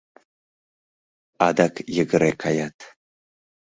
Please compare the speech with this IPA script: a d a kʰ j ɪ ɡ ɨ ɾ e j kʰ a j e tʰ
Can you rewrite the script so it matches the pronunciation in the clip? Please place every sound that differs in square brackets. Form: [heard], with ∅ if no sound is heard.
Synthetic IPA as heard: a d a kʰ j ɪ ɡ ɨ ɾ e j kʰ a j [a] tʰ